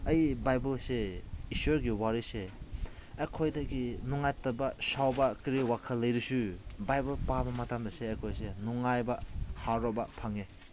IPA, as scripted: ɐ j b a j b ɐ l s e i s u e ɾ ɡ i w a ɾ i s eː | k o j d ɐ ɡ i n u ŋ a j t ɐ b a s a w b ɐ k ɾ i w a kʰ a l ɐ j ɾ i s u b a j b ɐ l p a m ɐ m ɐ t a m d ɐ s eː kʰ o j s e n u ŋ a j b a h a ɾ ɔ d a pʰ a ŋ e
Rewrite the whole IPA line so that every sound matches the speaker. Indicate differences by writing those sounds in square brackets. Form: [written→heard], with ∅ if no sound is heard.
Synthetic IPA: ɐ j b a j b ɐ l s e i s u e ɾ ɡ i w a ɾ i s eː | [k→kʰ] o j d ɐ ɡ i n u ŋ a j t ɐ b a s a w b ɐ k ɾ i w a kʰ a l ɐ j ɾ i s u b a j b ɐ l p a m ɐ m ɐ t a m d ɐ s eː kʰ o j s e n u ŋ a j b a h a ɾ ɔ [d→b] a pʰ a ŋ e